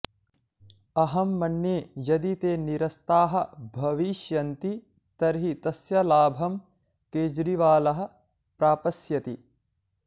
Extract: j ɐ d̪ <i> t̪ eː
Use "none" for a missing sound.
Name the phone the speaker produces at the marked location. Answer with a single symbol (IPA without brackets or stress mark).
i